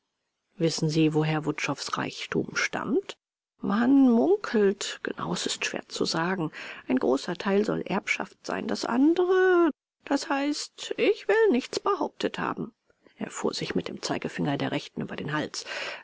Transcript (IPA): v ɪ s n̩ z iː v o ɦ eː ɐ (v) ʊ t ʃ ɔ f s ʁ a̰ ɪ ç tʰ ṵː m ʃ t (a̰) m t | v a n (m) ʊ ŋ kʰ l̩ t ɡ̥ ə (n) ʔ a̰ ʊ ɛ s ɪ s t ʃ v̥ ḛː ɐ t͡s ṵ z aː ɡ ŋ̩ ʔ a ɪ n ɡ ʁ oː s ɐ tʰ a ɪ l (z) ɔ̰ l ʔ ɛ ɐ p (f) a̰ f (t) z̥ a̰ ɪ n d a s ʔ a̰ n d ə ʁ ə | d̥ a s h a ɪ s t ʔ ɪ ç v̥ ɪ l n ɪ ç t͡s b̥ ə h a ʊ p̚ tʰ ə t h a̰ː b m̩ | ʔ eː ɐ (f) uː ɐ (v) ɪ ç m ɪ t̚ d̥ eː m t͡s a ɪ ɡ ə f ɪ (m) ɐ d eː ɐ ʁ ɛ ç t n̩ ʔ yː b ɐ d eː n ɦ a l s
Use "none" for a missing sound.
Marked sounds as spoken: v, a̰, m, n, z, ʃ, t, f, z, ŋ

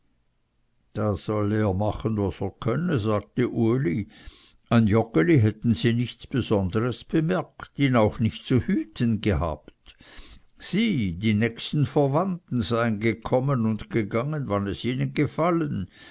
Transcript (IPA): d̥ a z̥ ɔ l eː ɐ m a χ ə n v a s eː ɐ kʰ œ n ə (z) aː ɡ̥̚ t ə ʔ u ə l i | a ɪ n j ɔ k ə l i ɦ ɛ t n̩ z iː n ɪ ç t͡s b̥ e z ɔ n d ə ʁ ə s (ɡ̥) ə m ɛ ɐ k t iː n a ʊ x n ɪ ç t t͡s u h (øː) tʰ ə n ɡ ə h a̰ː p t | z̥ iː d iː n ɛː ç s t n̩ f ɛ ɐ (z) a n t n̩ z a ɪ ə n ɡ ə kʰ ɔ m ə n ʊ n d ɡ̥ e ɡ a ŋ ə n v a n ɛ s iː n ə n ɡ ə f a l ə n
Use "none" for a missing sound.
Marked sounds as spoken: z, b̥, yː, v

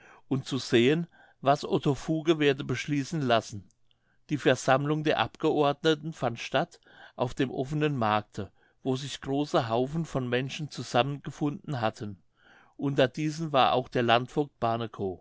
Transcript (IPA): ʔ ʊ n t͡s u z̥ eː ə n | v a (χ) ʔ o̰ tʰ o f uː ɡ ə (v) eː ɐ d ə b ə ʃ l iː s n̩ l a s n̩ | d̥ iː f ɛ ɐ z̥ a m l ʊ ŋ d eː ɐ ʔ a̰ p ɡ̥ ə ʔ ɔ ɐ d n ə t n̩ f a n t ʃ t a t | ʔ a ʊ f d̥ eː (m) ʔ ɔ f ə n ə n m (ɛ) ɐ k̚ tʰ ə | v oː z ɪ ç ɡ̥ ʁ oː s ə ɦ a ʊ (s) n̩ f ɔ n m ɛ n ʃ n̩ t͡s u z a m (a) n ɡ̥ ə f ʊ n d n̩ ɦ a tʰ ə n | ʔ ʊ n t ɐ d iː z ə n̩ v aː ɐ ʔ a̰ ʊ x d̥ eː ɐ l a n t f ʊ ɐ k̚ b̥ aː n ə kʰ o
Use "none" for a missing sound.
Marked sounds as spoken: s, v, m, a, f, ə

